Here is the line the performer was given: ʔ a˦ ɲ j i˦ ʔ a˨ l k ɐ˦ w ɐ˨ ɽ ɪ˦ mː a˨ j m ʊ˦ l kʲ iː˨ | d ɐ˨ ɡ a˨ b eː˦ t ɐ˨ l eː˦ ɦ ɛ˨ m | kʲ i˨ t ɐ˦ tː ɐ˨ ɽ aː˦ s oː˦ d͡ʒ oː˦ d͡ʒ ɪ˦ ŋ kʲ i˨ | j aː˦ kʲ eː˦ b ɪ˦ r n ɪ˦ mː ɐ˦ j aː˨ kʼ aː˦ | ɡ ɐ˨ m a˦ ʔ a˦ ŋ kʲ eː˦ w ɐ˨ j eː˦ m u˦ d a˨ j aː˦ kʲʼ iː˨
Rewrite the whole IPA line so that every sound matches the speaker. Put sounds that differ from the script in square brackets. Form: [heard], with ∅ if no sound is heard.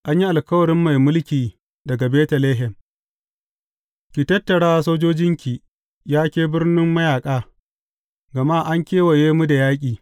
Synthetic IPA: ʔ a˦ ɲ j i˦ ʔ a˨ l k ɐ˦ w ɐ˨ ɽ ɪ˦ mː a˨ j m ʊ˦ l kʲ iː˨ | d ɐ˨ ɡ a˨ b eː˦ t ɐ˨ l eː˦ ɦ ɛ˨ m | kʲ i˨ t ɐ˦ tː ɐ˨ ɽ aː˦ s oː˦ d͡ʒ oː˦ d͡ʒ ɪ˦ ŋ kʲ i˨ | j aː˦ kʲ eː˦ b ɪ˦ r n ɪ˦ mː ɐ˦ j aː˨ kʼ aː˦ | ɡ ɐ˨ m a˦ ʔ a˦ ŋ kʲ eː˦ w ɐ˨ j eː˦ m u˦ d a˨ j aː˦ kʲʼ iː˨